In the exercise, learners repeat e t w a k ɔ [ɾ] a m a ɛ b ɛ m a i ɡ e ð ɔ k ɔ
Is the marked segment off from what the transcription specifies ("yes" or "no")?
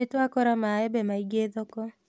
no